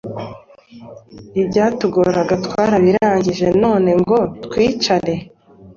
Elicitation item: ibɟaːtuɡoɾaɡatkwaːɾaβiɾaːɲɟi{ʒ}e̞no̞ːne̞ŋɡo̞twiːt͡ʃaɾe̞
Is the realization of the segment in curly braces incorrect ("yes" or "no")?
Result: no